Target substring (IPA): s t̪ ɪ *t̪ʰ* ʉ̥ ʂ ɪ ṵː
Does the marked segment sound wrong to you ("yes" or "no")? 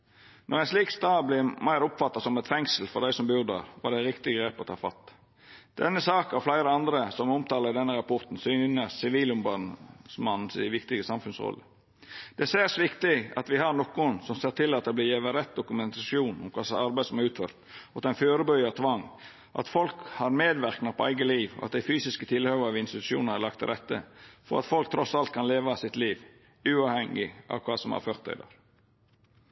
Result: yes